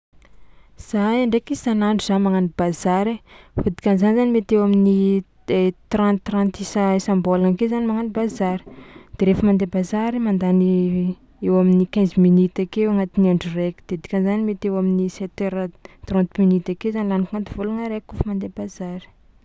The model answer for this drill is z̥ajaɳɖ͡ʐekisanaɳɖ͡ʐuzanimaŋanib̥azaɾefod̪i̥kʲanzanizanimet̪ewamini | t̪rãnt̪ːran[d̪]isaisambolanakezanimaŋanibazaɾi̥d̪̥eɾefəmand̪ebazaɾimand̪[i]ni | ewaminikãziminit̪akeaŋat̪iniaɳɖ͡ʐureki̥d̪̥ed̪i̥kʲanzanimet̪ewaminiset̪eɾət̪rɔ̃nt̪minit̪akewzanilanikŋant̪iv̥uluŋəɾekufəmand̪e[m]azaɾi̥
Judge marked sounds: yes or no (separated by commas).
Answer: no, no, no